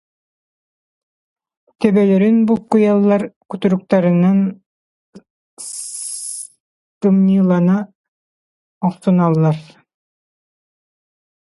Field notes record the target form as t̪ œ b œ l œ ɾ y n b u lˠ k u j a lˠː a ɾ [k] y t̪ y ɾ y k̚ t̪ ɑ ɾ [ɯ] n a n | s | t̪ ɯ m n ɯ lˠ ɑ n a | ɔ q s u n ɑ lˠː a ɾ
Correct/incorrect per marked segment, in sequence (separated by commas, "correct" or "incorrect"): correct, correct